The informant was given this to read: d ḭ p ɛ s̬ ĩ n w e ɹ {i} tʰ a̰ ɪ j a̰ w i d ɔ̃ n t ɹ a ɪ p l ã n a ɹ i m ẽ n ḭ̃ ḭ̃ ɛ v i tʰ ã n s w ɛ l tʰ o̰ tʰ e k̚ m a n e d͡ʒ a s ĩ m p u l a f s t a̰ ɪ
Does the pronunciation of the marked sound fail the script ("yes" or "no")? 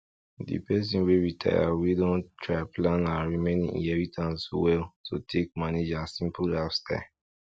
no